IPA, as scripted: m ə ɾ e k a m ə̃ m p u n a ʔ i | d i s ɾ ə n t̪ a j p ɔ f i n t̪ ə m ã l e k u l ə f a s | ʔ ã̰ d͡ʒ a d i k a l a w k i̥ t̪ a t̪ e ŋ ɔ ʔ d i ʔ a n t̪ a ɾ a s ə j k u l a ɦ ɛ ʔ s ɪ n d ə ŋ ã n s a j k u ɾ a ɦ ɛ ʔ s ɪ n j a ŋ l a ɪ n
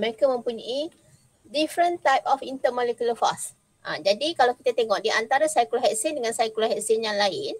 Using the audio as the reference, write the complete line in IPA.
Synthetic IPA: m ə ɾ e k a m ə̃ m p u ɲ a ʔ i | d i f ɾ ə n t̪ a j p ɔ f i n t̪ ə m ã l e k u l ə f a s | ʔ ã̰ d͡ʒ a d i k a l a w k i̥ t̪ a t̪ e ŋ ɔ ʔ d i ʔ a n t̪ a ɾ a s a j k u l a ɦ ɛ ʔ s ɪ n d ə ŋ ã n s a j k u l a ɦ ɛ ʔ s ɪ n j a ŋ l a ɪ n